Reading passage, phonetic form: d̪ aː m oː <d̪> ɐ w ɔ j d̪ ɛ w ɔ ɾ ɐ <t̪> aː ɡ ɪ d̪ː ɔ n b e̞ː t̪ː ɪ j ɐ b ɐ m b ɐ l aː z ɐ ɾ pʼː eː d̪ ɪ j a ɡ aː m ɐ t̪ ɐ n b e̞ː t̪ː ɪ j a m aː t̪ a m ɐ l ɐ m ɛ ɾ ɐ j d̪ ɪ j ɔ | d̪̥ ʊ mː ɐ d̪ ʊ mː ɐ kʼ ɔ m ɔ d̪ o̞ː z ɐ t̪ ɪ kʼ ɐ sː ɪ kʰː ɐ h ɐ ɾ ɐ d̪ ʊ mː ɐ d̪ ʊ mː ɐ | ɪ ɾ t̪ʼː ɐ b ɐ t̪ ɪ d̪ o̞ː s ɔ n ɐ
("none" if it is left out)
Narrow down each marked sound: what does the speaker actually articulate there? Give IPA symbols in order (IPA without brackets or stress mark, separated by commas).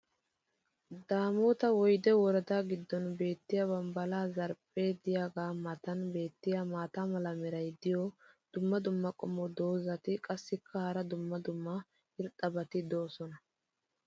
t̪, d̪